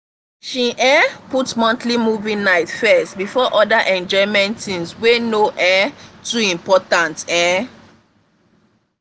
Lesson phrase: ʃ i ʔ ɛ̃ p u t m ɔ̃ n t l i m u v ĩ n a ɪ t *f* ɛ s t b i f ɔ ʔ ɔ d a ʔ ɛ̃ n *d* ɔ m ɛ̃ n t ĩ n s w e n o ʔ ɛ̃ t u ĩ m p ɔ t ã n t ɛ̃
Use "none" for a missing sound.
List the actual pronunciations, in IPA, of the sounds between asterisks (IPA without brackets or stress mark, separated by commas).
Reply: f, d͡ʒ